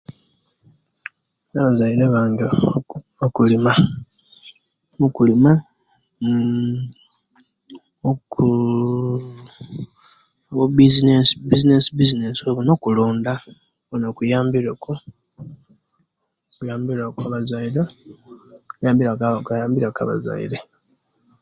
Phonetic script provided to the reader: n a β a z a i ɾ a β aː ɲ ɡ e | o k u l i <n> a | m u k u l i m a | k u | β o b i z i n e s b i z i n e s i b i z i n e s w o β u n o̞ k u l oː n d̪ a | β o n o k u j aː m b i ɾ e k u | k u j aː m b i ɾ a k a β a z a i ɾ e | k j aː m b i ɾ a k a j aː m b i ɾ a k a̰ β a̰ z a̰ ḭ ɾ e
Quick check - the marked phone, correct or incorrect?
incorrect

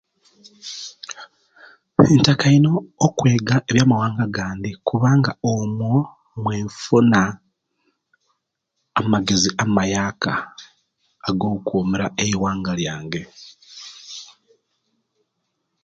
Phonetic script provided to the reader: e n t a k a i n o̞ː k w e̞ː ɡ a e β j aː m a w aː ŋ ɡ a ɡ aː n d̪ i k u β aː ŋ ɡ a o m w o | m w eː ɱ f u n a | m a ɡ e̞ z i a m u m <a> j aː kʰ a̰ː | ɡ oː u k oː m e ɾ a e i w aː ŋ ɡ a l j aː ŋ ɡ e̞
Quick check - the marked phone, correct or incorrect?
correct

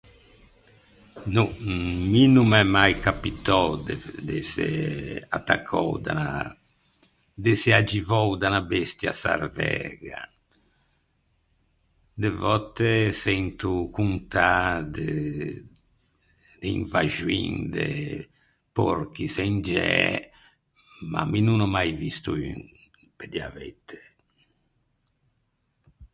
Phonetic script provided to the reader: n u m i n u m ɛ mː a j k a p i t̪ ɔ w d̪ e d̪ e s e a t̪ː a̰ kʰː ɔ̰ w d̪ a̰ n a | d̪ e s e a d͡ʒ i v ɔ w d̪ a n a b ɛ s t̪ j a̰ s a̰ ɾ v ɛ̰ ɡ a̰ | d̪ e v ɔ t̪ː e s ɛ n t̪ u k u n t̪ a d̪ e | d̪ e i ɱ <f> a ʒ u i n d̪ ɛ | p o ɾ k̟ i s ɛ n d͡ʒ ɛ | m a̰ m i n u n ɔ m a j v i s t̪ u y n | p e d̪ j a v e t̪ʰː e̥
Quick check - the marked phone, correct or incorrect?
incorrect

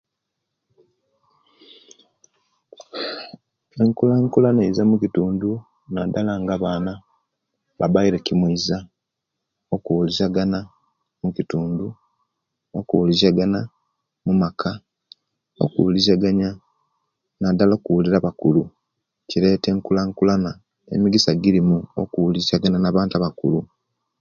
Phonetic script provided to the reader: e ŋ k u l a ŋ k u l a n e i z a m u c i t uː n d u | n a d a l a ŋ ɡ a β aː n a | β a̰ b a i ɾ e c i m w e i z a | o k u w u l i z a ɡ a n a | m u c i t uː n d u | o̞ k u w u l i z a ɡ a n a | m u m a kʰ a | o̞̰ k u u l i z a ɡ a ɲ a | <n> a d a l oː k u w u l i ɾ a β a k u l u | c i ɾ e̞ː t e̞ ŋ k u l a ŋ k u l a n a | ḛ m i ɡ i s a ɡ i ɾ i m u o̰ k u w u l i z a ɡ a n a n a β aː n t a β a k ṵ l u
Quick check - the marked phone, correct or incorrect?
correct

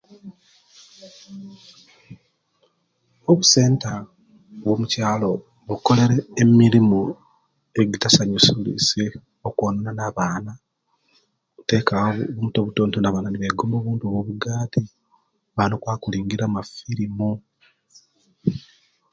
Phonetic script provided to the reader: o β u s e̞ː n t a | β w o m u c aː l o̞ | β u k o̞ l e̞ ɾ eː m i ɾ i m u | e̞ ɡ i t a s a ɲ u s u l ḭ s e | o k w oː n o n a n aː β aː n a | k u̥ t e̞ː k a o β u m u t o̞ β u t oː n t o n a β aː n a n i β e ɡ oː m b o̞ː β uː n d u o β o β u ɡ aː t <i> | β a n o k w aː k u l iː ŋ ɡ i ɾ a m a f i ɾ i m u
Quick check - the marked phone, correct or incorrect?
correct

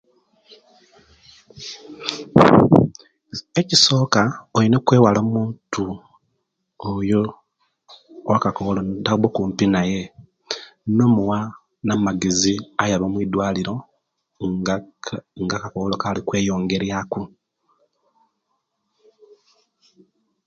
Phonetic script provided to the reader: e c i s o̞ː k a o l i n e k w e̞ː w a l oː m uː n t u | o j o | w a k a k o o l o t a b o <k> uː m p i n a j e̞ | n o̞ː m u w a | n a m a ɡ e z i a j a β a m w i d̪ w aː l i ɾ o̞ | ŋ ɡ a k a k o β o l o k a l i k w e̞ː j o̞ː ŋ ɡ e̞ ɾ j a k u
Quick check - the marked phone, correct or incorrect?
correct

